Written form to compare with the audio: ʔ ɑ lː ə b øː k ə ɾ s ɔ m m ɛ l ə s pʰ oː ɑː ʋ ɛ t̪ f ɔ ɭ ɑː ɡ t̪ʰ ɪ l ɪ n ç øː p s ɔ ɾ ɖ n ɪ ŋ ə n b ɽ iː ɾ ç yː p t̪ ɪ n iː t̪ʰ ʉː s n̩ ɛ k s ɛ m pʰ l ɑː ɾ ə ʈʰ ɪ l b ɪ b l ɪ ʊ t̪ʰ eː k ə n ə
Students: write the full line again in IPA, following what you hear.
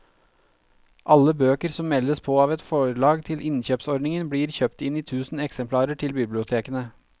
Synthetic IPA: ʔ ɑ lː ə b øː k ə ɾ s ɔ m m ɛ l ə s pʰ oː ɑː ʋ ɛ t̪ f ɔ ɭ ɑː ɡ t̪ʰ ɪ l ɪ n ç øː p s ɔ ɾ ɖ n ɪ ŋ ə n b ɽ iː ɾ ç øː p t̪ ɪ n iː t̪ʰ ʉː s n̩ ɛ k s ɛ m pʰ l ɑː ɾ ə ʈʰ ɪ l b ɪ b l ɪ ʊ t̪ʰ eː k ə n ə